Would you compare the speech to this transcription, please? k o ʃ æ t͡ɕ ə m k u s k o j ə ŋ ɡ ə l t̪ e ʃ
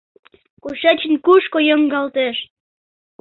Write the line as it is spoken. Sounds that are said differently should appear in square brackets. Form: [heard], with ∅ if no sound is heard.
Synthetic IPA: k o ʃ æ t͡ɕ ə [n] k u [ʃ] k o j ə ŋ ɡ [ɑ] l t̪ e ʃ